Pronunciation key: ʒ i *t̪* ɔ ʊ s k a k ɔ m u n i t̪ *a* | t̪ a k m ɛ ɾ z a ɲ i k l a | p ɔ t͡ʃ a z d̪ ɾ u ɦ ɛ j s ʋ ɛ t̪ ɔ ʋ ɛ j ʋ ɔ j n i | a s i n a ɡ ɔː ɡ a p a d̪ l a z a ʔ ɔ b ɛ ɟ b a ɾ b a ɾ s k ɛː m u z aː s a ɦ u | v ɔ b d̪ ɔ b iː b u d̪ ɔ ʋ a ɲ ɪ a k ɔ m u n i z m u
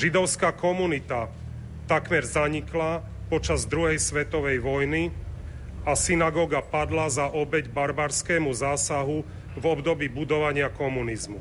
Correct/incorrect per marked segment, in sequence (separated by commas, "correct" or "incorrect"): incorrect, correct